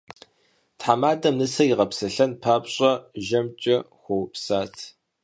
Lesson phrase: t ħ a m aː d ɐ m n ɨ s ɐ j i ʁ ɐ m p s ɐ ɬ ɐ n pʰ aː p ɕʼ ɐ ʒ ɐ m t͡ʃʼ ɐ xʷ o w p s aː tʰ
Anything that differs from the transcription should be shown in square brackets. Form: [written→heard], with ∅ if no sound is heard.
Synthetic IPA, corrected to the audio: t ħ a m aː d ɐ m n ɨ s ɐ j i ʁ ɐ [m→∅] p s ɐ ɬ ɐ n pʰ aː p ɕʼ ɐ ʒ ɐ m t͡ʃʼ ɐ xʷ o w p s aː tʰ